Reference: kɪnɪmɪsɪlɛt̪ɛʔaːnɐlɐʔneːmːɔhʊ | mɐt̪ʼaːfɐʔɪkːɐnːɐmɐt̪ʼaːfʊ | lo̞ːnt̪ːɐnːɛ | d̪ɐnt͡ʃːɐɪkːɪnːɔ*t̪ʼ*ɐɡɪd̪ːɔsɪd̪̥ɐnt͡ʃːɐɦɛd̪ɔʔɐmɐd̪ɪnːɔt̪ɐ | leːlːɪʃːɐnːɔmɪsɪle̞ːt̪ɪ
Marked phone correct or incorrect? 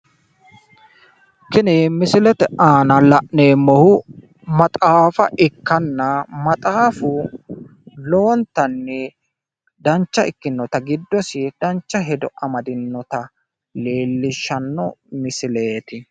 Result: incorrect